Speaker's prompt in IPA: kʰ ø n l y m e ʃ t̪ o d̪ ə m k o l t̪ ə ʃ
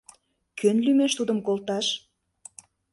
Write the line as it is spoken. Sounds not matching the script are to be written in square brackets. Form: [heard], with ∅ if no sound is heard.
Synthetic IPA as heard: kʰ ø n l y m e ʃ t̪ [u] d̪ ə m k o l t̪ [ɑ] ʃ